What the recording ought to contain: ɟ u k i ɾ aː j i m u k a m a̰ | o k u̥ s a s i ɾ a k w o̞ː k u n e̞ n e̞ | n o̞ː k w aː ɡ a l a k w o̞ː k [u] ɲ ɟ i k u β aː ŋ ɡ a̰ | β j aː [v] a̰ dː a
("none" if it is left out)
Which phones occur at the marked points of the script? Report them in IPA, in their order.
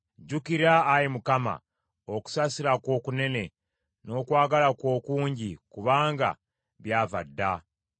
uː, v

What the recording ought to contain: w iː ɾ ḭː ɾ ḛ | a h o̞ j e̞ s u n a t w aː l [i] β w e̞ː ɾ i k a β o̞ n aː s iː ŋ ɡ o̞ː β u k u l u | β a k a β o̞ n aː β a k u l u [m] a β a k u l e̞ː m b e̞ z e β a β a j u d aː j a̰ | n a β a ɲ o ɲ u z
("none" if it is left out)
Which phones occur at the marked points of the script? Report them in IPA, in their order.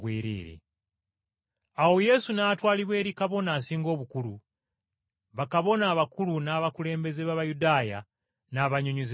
i, n

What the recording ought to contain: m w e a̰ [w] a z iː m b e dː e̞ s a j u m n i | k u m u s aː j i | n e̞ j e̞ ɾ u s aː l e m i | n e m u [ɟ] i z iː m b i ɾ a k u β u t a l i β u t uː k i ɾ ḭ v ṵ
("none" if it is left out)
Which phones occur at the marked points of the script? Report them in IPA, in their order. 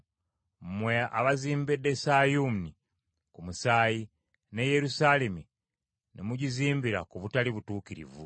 β, ɟ

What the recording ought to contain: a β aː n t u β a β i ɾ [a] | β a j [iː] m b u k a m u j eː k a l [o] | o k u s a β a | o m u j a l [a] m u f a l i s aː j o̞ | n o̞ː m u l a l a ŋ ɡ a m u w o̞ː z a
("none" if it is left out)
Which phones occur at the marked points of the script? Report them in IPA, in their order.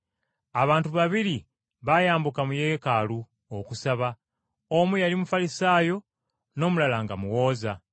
i, aː, u, i

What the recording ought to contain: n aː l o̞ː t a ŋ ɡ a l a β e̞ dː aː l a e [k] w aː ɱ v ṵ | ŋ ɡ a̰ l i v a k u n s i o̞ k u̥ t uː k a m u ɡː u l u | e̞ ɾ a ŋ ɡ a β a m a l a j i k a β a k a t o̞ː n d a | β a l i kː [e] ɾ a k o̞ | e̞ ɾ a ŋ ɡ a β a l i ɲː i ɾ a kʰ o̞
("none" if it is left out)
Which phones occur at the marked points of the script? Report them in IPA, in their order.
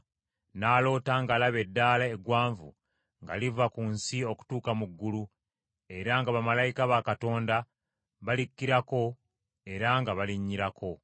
ɡ, i

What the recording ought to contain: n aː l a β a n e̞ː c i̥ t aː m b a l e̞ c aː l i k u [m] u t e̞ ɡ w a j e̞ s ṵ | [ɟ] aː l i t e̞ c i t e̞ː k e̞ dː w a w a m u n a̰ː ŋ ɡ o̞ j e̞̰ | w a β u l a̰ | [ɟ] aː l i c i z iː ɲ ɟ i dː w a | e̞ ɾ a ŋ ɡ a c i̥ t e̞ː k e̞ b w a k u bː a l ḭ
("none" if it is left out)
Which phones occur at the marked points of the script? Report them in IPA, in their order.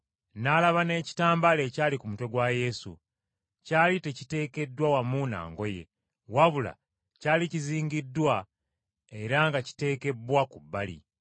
m, c, c

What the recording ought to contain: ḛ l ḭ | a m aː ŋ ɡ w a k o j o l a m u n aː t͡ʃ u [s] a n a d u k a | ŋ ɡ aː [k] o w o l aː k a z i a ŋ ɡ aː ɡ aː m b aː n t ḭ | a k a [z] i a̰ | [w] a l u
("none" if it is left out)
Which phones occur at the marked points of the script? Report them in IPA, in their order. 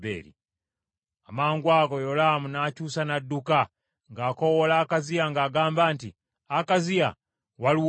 s, k, z, w

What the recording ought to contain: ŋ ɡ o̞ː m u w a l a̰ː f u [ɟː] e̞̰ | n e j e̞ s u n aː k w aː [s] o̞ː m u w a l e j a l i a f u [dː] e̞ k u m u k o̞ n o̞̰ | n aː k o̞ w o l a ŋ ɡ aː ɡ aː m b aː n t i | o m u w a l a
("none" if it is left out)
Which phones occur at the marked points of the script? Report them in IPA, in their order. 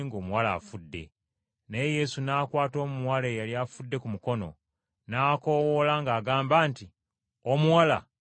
dː, t, dː

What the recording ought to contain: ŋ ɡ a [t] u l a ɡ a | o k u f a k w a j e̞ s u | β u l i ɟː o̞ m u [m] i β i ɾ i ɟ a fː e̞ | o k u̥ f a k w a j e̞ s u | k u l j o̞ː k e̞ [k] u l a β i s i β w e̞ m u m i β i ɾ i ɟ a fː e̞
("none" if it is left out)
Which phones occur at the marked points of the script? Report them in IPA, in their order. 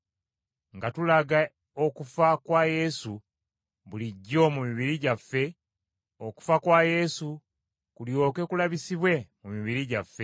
t, m, k

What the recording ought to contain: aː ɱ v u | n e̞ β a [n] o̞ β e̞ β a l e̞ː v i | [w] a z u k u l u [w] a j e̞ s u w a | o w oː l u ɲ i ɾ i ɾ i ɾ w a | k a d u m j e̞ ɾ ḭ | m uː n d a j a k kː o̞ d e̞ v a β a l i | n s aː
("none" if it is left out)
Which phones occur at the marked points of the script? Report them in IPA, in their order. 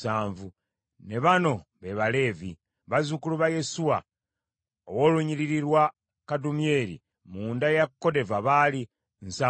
n, β, β

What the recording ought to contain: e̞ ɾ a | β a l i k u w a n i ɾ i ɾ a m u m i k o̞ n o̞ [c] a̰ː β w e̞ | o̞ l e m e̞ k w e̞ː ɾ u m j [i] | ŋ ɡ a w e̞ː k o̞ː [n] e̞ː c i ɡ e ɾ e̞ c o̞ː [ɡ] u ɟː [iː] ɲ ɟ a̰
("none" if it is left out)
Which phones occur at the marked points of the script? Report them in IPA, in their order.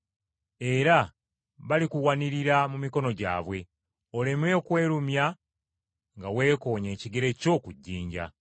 ɟ, a, ɲ, k, iː

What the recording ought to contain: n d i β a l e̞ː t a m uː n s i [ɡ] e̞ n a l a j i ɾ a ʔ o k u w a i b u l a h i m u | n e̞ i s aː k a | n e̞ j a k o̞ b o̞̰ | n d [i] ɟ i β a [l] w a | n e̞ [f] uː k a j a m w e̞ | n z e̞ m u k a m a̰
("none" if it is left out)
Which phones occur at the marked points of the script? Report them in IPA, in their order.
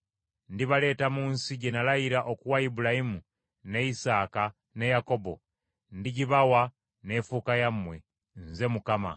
ɟ, i, none, f

